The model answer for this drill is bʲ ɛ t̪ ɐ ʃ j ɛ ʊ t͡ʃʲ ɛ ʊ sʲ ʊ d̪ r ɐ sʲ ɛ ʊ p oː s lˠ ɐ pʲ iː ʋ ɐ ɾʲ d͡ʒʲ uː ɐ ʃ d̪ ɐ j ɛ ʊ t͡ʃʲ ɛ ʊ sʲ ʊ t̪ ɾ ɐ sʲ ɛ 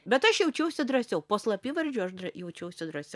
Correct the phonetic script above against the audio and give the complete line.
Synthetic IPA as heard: bʲ ɛ t̪ ɐ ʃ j ɛ ʊ t͡ʃʲ ɛ ʊ sʲ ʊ d̪ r ɐ sʲ ɛ ʊ p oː s lˠ ɐ pʲ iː ʋ ɐ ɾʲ d͡ʒʲ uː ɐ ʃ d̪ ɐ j ɛ ʊ t͡ʃʲ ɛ ʊ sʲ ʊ d̪ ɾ ɐ sʲ ɛ

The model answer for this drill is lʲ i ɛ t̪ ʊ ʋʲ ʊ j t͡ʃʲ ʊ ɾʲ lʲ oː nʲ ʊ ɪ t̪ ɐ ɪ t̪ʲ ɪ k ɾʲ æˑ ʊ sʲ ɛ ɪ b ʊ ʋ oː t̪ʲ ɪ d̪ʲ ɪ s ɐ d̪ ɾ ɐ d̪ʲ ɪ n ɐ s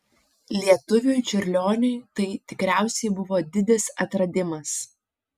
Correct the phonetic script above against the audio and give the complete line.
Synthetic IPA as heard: lʲ i ɛ t̪ ʊ ʋʲ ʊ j t͡ʃʲ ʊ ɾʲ lʲ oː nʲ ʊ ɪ t̪ ɐ ɪ t̪ʲ ɪ k ɾʲ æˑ ʊ sʲ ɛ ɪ b ʊ ʋ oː d̪ʲ ɪ d̪ʲ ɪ s ɐ t̪ ɾ ɐ d̪ʲ ɪ m ɐ s

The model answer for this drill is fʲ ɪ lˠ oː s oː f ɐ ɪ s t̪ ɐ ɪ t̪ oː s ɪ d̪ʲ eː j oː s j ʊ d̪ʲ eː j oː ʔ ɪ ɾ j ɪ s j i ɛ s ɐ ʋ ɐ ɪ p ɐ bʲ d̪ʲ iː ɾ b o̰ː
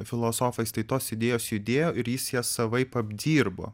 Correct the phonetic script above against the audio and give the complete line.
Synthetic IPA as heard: fʲ ɪ lˠ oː s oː f ɐ ɪ s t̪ ɐ ɪ t̪ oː s ɪ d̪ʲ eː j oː s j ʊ d̪ʲ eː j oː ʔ ɪ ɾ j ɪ s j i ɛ s ɐ ʋ ɐ ɪ p ɐ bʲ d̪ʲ iː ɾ b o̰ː

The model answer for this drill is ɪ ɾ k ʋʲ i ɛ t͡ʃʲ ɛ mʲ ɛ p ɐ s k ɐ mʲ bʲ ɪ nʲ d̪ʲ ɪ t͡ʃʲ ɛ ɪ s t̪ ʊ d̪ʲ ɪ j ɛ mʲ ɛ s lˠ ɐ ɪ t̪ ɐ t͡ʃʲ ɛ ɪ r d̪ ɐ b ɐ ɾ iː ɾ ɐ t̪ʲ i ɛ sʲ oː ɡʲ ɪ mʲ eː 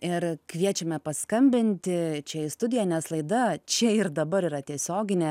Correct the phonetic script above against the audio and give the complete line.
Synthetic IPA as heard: ɪ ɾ k ʋʲ i ɛ t͡ʃʲ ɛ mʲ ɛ p ɐ s k ɐ mʲ bʲ ɪ nʲ t̪ʲ ɪ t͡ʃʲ ɛ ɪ s t̪ ʊ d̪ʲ ɪ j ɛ nʲ ɛ s lˠ ɐ ɪ d̪ ɐ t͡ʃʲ ɛ ɪ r d̪ ɐ b ɐ ɾ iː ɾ ɐ t̪ʲ i ɛ sʲ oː ɡʲ ɪ nʲ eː

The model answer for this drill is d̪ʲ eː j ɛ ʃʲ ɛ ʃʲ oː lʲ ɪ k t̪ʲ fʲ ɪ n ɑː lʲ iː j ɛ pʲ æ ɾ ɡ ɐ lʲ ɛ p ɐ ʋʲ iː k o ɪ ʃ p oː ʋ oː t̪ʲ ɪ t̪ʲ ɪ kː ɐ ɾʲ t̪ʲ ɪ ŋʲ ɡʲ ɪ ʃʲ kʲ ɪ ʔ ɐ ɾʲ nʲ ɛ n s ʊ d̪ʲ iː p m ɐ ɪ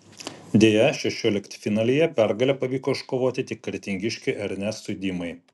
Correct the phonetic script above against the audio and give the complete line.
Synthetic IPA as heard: d̪ʲ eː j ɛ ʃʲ ɛ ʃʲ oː lʲ ɪ k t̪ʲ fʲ ɪ n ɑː lʲ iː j ɛ pʲ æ ɾ ɡ ɐ lʲ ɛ p ɐ ʋʲ iː k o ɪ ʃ k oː ʋ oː t̪ʲ ɪ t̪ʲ ɪ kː ɐ ɾʲ t̪ʲ ɪ ŋʲ ɡʲ ɪ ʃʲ kʲ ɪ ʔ ɐ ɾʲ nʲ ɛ s ʊ d̪ʲ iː m ɐ ɪ

